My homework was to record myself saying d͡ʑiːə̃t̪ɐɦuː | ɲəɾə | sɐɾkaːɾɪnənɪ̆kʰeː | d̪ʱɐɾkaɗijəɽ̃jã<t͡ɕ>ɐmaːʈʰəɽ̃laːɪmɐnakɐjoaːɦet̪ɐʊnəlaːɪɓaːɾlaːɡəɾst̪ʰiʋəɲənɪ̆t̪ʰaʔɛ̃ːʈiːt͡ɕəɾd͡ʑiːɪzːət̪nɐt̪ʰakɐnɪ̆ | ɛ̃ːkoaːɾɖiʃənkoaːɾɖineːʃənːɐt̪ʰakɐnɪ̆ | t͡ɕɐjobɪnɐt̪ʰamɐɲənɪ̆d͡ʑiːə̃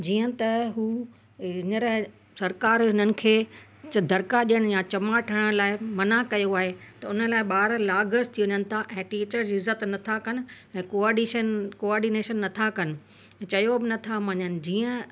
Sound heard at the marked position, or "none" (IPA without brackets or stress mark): t͡ɕ